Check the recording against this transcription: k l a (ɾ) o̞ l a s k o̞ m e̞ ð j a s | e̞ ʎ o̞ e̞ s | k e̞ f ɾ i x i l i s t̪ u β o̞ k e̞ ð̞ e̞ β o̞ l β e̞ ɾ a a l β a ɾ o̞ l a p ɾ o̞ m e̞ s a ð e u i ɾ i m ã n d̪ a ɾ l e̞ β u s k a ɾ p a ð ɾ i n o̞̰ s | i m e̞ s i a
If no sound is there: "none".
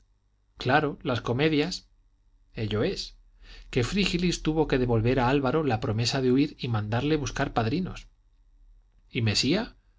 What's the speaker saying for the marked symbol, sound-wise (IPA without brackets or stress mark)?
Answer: ɾ